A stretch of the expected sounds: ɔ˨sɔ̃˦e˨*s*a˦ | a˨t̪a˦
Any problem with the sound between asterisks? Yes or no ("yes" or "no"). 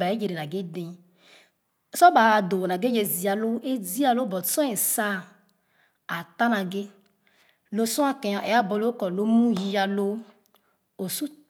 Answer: no